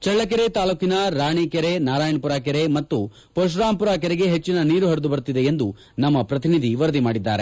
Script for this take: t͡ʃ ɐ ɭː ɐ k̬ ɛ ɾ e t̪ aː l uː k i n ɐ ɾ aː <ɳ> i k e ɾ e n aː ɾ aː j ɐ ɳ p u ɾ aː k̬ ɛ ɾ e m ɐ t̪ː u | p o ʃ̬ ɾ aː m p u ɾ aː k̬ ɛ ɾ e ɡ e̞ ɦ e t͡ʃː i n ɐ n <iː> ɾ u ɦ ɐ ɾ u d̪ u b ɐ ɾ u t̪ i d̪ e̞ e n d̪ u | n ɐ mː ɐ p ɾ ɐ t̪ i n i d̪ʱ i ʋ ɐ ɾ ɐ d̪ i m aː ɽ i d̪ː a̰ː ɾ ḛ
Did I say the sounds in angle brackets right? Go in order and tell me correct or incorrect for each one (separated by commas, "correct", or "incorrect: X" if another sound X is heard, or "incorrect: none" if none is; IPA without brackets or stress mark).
correct, correct